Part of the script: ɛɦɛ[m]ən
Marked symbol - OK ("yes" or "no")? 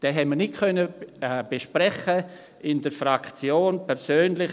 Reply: yes